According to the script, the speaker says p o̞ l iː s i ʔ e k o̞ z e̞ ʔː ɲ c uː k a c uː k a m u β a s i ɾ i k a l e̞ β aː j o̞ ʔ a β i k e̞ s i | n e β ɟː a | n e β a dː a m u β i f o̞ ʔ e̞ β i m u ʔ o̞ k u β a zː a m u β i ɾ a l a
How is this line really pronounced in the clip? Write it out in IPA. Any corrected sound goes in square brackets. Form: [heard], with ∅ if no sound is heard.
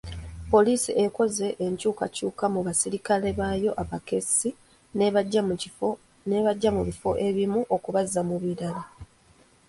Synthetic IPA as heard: p o̞ l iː s i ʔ e k o̞ z e̞ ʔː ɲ c uː k a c uː k a m u β a s i ɾ i k a l e̞ β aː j o̞ ʔ a β [a] k e̞ s i | n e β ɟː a | n e β a [ɟː] a m u β i f o̞ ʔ e̞ β i m u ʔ o̞ k u β a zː a m u β i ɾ a l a